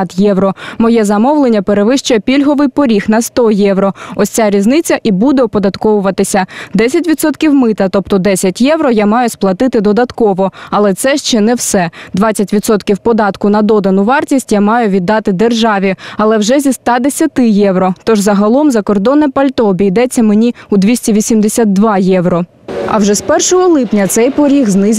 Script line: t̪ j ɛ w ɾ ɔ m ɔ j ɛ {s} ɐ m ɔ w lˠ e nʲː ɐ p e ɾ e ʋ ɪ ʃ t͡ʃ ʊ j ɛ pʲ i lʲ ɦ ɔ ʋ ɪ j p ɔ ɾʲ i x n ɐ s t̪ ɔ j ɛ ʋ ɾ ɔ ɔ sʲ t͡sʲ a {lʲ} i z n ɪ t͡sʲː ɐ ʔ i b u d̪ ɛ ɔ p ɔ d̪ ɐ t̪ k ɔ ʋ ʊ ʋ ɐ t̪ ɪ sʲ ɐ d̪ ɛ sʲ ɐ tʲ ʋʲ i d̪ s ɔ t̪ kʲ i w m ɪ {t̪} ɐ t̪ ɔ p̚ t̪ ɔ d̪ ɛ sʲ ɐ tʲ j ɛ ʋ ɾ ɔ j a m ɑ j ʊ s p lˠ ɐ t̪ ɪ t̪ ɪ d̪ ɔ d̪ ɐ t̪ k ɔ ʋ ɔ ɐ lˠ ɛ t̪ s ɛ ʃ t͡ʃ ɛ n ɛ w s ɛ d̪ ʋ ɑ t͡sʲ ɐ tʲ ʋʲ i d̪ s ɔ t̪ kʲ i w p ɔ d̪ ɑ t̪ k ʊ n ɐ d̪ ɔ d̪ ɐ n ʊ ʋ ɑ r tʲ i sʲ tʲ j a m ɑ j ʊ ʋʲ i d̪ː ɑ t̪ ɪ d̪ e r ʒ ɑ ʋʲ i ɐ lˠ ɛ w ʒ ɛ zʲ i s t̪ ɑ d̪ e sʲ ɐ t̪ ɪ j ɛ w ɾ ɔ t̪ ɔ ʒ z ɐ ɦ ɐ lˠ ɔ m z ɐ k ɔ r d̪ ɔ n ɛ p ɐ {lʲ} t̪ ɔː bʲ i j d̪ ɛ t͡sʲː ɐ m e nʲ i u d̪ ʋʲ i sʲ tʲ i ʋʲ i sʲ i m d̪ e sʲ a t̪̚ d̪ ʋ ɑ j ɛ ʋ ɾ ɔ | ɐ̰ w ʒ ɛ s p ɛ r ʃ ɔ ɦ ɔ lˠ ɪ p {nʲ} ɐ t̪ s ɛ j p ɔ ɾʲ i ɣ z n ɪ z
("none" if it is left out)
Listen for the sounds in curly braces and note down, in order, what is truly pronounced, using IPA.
z, ɾʲ, t̪, lʲ, nʲ

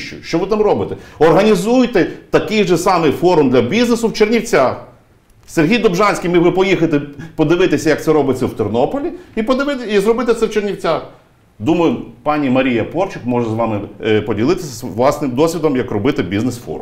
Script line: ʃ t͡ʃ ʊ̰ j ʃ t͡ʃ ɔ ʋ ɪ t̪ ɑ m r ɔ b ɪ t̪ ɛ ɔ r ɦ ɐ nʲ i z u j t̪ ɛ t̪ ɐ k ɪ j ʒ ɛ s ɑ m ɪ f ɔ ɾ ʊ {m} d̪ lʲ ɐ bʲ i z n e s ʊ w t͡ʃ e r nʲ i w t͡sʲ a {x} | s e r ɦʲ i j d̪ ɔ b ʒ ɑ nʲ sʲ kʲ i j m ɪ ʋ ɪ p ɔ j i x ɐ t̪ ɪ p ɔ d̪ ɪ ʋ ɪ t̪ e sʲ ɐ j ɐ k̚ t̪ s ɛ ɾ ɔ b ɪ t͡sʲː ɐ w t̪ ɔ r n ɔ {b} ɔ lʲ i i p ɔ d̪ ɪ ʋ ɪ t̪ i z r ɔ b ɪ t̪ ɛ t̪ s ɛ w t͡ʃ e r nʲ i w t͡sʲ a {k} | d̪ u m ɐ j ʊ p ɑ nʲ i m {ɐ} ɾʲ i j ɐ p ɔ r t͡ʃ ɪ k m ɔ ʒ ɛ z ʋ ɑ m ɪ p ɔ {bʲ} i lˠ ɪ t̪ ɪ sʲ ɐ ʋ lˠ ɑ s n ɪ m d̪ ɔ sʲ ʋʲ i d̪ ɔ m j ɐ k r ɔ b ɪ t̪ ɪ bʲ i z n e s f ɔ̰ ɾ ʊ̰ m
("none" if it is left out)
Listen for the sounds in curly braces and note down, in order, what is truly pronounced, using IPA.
m, x, p, x, ɐ, dʲ

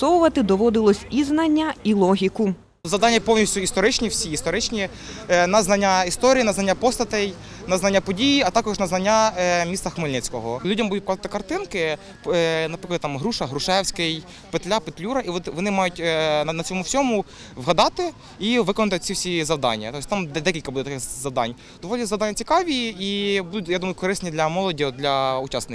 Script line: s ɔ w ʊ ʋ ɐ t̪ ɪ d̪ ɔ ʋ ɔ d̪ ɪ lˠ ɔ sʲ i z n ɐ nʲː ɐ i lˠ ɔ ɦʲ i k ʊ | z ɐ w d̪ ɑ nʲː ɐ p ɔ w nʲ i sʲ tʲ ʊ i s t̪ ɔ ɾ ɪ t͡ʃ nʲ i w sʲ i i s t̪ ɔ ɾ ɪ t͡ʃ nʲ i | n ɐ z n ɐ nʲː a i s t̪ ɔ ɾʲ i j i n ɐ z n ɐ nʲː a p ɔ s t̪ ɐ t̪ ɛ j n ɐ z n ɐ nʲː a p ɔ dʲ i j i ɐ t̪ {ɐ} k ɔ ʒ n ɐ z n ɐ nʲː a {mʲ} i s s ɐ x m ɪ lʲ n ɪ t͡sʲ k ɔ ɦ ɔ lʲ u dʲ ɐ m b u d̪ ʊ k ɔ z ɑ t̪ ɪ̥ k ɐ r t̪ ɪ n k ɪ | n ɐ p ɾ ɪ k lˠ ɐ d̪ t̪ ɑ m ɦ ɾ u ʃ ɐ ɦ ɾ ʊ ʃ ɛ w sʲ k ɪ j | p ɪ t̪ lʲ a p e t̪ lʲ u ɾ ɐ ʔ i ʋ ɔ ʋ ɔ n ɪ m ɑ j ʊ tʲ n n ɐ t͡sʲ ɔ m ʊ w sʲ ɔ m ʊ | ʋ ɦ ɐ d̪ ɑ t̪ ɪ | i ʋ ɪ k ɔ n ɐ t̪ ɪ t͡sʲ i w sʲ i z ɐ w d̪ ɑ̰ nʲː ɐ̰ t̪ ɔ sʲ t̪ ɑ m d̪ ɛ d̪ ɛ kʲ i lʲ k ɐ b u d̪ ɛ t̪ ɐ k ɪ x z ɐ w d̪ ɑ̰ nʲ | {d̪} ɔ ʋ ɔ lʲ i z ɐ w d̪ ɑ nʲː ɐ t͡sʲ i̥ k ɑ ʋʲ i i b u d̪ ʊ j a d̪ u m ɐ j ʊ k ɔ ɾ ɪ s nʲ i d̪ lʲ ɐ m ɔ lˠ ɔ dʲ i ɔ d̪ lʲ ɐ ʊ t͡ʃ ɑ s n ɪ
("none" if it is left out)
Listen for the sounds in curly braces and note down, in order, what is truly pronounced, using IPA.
ɑ, mʲ, d̪

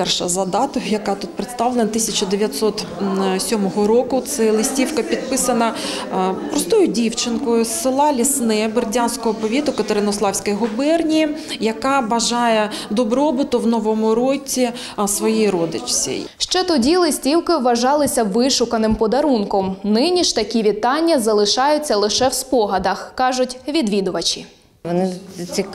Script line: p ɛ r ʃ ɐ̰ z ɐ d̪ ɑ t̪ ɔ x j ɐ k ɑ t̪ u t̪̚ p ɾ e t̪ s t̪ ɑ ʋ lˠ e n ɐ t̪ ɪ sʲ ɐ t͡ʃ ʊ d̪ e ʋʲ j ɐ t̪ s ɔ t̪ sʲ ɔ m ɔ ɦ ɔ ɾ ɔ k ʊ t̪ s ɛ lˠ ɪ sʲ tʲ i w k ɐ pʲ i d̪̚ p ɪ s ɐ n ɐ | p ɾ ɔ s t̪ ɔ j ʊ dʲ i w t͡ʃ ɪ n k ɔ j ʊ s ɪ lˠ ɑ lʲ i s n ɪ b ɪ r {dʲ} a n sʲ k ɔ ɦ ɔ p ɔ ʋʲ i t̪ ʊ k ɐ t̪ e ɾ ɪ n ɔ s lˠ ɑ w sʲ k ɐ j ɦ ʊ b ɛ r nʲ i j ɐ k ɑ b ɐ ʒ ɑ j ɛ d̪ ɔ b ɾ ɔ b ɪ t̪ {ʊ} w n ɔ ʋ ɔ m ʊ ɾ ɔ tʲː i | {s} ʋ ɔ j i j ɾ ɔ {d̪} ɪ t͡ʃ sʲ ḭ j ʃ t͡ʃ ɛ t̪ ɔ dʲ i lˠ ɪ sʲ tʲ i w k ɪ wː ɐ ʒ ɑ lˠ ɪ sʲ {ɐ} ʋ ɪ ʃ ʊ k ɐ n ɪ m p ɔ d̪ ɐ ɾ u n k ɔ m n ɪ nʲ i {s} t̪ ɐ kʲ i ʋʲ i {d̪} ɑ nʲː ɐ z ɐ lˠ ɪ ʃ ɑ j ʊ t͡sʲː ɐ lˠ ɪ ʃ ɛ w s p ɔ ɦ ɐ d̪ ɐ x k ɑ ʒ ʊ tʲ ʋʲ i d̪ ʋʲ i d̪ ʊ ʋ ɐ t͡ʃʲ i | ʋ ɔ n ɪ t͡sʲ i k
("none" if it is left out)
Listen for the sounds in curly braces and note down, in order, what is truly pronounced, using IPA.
dʲ, ʊ, s, d̪, ɐ, ʃ, t̪

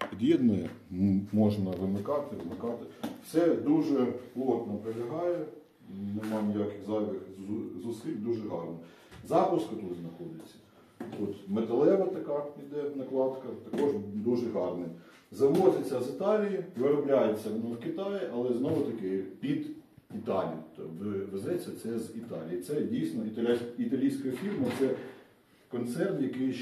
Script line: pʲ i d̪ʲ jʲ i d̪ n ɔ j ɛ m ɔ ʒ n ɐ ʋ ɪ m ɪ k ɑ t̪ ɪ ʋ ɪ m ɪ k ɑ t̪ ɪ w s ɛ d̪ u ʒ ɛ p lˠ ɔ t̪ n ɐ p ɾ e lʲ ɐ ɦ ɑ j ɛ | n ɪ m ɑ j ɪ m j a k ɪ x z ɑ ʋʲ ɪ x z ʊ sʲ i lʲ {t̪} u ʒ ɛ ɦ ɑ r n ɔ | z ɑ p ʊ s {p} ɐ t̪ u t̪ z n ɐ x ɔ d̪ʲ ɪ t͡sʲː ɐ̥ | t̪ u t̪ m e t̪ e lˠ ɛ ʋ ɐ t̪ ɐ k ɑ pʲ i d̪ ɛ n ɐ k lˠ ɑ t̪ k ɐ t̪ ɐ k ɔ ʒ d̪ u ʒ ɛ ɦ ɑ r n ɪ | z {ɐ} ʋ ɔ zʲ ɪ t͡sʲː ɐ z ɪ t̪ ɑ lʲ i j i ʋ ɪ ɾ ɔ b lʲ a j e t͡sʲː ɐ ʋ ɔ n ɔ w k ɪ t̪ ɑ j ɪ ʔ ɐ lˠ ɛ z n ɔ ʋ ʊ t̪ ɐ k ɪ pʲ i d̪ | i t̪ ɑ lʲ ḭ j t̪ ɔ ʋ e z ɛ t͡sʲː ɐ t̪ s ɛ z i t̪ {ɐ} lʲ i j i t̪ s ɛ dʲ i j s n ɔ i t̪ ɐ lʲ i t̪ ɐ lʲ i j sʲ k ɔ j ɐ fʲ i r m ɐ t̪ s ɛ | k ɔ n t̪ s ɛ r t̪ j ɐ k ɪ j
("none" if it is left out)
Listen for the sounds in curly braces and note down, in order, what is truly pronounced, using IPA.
d̪, k, ɐ, ɑ

